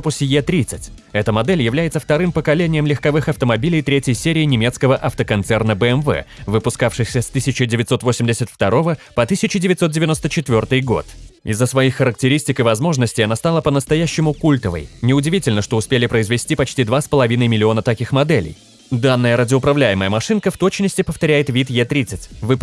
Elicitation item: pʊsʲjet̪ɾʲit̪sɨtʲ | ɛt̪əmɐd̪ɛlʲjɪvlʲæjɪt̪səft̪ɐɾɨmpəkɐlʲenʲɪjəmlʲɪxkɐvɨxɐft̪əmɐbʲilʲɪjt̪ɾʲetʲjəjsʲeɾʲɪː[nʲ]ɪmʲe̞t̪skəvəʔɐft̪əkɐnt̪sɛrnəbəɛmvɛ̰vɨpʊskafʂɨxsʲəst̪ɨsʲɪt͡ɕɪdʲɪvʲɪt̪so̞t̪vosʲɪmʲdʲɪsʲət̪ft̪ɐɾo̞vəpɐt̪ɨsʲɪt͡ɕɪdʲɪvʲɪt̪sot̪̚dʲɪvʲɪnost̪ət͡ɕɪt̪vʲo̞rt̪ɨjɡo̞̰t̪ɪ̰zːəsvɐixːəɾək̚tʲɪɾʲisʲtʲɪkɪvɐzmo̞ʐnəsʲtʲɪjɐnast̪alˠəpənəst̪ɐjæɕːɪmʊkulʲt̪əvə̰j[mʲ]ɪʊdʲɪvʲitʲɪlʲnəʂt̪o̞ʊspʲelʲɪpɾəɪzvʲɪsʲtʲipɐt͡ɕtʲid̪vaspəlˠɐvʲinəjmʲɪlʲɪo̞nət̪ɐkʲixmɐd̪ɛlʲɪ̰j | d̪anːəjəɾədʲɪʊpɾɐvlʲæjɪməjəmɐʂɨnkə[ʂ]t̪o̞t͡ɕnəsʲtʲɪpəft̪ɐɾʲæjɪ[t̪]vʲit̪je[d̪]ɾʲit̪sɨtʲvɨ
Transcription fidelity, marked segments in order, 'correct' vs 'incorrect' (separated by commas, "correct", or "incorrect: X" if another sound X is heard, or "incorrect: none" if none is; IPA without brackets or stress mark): correct, incorrect: nʲ, incorrect: f, correct, incorrect: t̪